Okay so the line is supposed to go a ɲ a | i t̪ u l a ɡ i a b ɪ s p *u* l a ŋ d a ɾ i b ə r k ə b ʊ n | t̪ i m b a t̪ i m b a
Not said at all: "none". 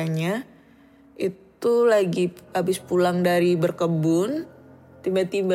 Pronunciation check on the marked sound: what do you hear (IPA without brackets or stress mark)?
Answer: u